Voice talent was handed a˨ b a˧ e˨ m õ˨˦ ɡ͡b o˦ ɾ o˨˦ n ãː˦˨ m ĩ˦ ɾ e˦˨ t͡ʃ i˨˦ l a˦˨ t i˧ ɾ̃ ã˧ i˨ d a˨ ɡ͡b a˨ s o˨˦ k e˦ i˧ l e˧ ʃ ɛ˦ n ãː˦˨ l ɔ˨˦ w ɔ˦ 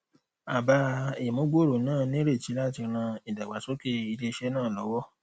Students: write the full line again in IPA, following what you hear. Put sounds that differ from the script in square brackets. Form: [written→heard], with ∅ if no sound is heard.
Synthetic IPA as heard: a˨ b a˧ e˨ m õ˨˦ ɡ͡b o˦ ɾ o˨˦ n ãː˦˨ [m→n] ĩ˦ ɾ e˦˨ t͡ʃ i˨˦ l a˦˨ t i˧ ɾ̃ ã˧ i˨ d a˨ ɡ͡b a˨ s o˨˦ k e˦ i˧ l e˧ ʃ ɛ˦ n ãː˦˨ l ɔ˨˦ w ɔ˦